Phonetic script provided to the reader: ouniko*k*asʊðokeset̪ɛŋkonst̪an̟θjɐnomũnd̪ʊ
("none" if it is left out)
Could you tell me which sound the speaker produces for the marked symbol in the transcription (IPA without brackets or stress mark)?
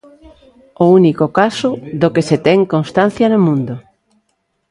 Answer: k